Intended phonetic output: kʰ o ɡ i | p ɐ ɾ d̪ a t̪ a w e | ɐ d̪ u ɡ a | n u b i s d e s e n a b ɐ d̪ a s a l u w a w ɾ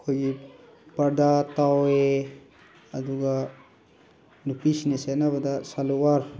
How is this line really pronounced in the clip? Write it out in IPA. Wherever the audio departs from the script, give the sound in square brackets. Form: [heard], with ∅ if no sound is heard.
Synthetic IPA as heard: kʰ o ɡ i | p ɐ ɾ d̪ a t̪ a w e | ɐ d̪ u ɡ a | n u [p] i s [n] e s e n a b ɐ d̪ a s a l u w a [∅] ɾ